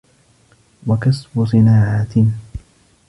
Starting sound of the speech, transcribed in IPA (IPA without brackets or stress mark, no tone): w